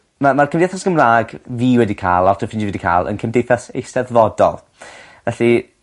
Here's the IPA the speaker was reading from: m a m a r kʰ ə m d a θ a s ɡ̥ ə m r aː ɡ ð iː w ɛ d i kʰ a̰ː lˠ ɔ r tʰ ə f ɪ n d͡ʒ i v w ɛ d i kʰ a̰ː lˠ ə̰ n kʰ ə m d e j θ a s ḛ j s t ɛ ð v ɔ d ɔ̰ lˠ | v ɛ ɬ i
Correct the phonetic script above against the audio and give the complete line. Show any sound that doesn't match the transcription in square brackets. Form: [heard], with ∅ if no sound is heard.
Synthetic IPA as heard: m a m a r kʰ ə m d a θ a s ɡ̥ ə m r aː ɡ [v] iː w ɛ d i kʰ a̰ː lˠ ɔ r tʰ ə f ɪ n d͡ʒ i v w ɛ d i kʰ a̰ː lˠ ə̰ n kʰ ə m d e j θ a s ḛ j s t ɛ ð v ɔ d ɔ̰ lˠ | v ɛ ɬ i